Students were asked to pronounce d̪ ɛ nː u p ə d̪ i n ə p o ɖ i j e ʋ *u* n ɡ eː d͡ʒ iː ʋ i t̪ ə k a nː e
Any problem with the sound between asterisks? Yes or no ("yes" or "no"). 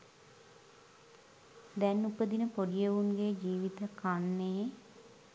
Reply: no